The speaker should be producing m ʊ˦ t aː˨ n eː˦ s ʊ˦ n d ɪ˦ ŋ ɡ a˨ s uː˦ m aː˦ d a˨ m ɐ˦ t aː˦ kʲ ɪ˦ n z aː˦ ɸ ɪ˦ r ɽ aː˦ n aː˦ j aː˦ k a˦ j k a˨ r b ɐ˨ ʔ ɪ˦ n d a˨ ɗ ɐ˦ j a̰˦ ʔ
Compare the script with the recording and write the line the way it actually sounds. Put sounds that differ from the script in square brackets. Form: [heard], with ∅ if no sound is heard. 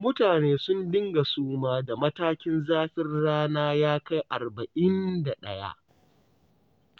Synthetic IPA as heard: m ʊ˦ t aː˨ n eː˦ s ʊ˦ n d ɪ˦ ŋ ɡ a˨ s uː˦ m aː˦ d a˨ m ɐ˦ t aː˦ kʲ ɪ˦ n z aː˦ ɸ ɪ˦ r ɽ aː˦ n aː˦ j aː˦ k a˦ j [ʔ] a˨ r b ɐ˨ ʔ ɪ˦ n d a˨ ɗ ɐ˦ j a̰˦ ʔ